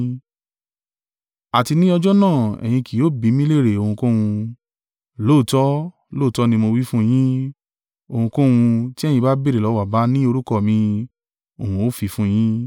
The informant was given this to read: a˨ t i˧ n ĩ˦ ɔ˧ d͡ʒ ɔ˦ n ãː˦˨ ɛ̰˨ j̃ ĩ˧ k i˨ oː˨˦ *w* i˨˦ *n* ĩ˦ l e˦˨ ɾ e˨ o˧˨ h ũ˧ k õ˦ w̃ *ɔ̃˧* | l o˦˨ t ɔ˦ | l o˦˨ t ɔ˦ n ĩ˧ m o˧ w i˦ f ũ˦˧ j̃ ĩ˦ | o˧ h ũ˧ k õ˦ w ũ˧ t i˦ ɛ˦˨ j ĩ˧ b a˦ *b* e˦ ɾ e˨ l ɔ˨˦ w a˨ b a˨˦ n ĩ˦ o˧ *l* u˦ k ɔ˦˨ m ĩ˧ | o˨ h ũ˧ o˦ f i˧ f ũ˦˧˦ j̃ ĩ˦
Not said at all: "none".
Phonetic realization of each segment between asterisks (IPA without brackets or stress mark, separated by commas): b, m, ũ˧, b, ɾ